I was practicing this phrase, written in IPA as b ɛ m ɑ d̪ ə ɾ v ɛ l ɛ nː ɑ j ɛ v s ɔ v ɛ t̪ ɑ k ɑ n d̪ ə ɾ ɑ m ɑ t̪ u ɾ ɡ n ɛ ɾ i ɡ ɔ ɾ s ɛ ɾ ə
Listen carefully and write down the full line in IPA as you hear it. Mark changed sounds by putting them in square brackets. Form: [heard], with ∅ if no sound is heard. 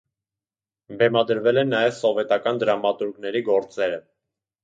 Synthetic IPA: b ɛ m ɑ d̪ ə ɾ v ɛ l ɛ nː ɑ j ɛ v s ɔ v ɛ t̪ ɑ k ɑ n d̪ ə ɾ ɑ m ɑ t̪ u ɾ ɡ n ɛ ɾ i ɡ ɔ ɾ [t͡s] ɛ ɾ ə